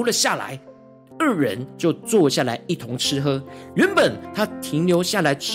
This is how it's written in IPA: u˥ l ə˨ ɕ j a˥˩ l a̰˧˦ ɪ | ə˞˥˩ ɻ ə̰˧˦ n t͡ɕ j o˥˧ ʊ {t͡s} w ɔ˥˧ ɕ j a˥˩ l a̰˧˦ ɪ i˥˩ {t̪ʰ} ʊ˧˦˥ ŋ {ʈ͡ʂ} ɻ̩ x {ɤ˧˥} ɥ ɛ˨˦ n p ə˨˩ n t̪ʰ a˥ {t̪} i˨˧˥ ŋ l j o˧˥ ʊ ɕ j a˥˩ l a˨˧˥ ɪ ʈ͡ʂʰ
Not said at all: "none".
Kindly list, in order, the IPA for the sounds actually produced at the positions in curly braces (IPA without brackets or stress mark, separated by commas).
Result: t͡s, t̪ʰ, ʈ͡ʂʰ, ɤ˥, t̪ʰ